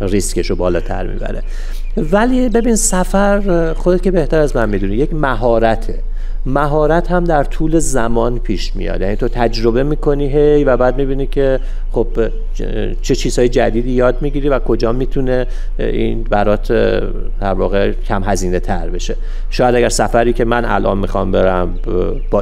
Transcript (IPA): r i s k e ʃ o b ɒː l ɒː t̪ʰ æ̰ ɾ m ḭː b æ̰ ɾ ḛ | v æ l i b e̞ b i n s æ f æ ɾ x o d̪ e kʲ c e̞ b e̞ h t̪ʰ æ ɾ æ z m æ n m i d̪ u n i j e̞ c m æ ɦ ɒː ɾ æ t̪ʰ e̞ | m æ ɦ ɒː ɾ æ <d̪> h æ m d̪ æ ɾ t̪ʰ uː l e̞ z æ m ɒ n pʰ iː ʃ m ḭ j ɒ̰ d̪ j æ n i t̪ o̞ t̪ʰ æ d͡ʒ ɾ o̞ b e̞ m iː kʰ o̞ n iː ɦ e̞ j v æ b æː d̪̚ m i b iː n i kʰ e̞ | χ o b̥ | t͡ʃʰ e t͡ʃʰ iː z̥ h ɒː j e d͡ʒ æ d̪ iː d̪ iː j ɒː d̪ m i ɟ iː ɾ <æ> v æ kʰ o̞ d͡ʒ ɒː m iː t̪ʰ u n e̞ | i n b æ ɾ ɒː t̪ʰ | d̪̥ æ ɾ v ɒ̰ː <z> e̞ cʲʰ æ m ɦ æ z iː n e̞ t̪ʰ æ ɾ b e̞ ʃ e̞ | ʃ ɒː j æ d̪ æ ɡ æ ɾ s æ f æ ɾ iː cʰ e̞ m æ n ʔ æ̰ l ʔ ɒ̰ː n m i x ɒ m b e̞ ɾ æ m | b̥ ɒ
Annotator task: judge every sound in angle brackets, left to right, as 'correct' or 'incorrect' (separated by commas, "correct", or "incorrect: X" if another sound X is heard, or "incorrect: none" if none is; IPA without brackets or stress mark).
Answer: incorrect: t̪, incorrect: i, incorrect: ɣ